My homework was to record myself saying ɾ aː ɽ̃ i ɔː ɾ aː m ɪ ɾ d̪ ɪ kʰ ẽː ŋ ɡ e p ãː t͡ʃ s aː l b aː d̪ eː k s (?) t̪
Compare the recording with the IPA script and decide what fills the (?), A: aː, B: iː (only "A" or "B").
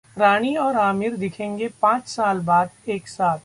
A